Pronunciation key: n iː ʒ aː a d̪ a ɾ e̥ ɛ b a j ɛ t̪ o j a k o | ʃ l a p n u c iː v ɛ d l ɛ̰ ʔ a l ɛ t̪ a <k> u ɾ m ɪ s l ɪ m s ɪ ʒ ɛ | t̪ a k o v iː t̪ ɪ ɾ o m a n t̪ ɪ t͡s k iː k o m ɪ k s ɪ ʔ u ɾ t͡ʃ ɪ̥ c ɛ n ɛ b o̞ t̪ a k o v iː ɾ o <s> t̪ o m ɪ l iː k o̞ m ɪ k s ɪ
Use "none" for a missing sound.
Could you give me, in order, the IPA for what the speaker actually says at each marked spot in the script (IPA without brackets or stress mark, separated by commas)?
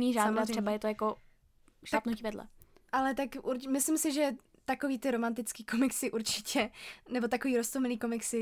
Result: k, s